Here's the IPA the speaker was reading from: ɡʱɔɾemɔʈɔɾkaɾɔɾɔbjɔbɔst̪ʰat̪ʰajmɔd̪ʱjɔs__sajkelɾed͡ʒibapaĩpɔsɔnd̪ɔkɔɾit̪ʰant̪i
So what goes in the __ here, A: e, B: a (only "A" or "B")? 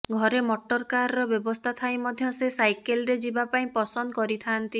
A